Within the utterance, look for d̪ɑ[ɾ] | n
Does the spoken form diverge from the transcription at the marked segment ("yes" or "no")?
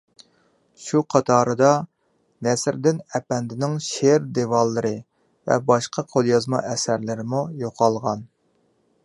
yes